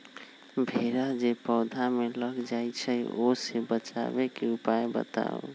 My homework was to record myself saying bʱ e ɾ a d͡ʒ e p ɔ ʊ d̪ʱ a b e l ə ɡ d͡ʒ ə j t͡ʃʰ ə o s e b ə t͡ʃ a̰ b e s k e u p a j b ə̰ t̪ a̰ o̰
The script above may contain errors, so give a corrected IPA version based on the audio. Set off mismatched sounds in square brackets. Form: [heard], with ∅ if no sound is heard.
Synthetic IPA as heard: bʱ e ɾ a d͡ʒ e p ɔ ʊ d̪ʱ a [m] e l ə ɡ d͡ʒ [a] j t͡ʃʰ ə o s e b ə t͡ʃ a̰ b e [∅] k e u p a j b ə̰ t̪ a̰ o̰